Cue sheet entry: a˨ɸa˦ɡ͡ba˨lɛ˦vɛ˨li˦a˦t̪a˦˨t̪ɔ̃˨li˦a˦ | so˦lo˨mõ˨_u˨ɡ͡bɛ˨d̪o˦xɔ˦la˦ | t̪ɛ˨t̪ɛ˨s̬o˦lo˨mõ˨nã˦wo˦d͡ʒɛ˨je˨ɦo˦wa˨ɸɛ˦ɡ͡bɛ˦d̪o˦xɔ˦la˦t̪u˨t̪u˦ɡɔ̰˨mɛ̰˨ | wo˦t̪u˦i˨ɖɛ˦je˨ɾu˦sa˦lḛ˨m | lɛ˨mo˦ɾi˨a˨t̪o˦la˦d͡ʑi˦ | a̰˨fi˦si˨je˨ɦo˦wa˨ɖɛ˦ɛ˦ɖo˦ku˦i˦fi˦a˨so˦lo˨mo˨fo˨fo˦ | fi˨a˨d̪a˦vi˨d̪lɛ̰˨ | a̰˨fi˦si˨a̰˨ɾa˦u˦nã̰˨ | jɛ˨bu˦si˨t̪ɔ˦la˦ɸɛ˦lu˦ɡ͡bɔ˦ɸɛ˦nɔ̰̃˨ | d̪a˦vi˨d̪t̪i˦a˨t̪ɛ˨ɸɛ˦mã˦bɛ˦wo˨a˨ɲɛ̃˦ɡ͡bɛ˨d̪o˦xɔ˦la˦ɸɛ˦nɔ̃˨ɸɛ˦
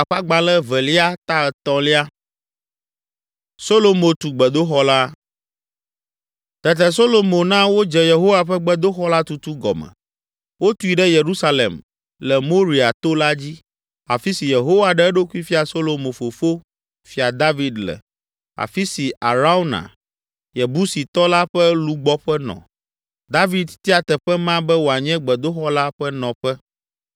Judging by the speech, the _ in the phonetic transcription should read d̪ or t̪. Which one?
t̪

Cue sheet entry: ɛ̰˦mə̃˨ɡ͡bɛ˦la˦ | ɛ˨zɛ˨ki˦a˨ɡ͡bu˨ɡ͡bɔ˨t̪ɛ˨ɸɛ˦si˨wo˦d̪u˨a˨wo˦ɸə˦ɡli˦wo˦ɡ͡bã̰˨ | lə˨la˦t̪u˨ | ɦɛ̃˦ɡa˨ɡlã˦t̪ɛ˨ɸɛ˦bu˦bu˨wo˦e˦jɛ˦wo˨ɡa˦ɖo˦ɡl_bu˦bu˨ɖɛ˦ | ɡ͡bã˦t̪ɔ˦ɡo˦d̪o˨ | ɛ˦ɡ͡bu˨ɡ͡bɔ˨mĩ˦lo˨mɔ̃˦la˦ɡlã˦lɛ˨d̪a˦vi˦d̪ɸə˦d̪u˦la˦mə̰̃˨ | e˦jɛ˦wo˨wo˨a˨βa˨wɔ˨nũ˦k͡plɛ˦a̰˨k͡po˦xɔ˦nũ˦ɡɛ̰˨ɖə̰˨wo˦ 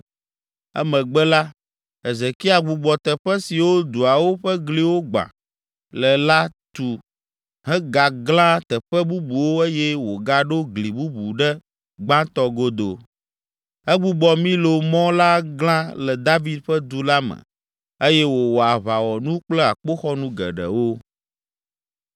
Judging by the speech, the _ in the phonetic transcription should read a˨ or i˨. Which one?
i˨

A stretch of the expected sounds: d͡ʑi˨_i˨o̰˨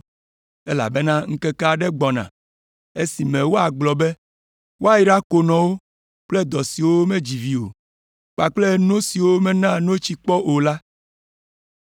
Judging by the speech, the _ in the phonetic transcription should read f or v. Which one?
v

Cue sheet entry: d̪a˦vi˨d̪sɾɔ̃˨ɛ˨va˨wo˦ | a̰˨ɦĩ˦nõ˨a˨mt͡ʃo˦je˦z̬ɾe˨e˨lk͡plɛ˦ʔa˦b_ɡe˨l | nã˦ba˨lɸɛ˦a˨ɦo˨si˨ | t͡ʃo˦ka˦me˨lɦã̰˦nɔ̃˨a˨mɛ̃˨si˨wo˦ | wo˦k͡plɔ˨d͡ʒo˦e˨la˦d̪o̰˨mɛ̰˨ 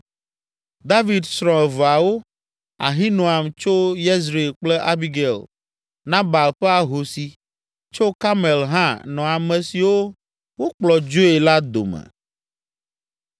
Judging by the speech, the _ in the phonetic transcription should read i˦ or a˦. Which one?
i˦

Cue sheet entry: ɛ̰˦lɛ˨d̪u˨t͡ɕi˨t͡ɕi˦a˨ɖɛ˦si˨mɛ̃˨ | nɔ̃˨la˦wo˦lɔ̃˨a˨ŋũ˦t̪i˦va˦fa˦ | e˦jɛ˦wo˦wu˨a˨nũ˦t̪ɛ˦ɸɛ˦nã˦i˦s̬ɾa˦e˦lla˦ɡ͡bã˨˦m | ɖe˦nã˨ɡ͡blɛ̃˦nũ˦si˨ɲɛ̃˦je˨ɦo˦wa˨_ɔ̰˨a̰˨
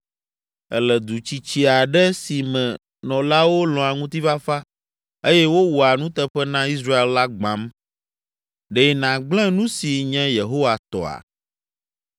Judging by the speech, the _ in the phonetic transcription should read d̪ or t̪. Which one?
t̪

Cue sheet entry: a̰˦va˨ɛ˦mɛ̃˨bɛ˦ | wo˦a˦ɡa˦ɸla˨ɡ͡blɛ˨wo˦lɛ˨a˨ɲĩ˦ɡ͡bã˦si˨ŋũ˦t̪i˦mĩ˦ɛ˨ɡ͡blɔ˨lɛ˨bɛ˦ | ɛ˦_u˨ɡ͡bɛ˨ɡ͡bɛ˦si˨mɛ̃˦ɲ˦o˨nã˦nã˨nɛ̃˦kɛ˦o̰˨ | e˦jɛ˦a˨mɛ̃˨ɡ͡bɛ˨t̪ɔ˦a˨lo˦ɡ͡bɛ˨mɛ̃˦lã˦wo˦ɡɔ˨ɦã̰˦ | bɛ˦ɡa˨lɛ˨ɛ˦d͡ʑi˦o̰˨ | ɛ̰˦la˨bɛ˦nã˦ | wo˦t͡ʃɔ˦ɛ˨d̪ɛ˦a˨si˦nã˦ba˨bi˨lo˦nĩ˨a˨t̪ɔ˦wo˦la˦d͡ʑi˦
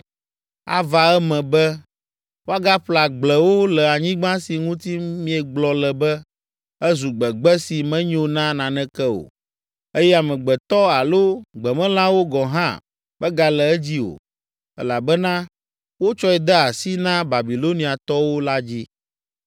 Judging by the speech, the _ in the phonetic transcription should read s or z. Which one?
z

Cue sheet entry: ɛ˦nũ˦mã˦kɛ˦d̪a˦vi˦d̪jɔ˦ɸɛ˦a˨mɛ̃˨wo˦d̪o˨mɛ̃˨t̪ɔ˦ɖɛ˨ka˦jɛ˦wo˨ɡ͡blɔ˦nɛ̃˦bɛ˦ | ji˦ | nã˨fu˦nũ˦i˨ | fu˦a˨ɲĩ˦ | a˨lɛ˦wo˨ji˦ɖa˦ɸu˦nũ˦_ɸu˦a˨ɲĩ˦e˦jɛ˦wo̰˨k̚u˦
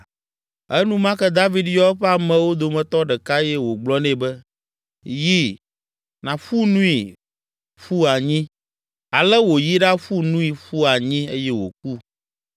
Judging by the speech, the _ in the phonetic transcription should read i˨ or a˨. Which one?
i˨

